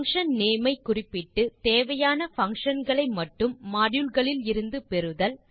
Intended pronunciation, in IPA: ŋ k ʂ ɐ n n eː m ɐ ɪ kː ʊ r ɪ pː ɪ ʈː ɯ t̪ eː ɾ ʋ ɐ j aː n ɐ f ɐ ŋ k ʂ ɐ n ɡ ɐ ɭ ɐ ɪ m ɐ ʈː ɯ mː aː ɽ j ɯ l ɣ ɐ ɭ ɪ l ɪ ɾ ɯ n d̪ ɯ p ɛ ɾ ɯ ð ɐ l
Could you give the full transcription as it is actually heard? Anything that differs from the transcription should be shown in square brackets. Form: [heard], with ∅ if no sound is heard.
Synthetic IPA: ŋ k ʂ ɐ n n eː m ɐ ɪ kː ʊ r ɪ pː ɪ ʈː ɯ t̪ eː [∅] ʋ ɐ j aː n ɐ f ɐ ŋ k ʂ ɐ n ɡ ɐ ɭ ɐ ɪ m ɐ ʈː ɯ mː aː ɽ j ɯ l ɣ ɐ ɭ ɪ l ɪ ɾ ɯ n d̪ ɯ p ɛ ɾ ɯ ð ɐ l